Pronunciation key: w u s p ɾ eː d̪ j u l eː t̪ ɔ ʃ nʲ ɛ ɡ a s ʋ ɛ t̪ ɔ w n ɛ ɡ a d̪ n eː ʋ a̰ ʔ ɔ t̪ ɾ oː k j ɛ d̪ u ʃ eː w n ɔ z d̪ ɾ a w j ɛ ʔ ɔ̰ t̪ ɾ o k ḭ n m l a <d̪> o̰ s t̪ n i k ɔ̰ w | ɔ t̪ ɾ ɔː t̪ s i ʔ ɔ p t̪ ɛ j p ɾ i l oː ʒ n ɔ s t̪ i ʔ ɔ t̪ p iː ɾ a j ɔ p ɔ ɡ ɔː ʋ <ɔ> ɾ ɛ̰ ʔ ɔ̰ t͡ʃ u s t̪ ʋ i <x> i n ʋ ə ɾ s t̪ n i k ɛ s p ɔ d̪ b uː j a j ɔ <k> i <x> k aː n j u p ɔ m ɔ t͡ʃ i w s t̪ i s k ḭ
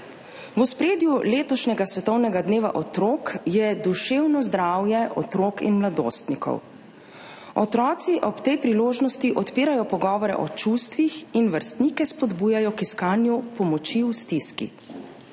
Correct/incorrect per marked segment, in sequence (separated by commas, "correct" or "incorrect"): correct, correct, correct, correct, incorrect